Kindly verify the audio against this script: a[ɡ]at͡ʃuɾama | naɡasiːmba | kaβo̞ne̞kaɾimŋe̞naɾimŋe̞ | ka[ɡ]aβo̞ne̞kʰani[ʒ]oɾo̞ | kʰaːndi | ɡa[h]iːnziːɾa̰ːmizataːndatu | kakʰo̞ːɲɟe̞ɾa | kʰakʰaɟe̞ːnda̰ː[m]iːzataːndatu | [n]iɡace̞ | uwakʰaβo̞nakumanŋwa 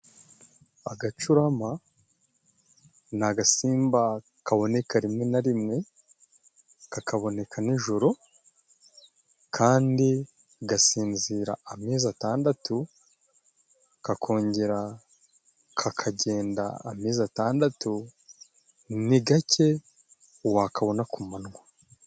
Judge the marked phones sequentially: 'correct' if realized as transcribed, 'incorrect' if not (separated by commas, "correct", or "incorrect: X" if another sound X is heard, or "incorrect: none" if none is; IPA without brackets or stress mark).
correct, incorrect: k, correct, incorrect: s, correct, correct